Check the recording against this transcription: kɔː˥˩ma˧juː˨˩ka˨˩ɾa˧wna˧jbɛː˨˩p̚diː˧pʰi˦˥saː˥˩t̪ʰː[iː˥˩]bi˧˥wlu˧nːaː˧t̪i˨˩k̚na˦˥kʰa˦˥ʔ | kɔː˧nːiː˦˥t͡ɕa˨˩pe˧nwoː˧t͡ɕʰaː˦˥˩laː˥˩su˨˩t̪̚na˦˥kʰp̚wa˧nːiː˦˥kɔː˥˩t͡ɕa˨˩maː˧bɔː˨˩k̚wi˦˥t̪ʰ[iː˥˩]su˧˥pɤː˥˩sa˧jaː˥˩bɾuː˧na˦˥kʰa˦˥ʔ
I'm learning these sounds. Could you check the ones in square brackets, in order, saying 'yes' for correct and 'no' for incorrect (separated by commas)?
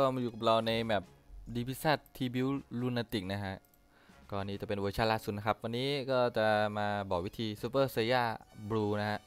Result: no, no